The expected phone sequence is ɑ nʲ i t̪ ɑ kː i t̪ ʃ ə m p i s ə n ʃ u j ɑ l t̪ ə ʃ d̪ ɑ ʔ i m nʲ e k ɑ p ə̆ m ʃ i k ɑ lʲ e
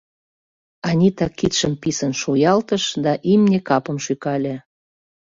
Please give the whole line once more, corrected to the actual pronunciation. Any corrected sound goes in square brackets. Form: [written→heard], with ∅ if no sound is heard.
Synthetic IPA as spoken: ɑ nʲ i t̪ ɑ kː i t̪ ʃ ə m p i s ə n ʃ u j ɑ l t̪ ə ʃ d̪ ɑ ʔ i m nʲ e k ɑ p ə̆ m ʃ [i→y] k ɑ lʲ e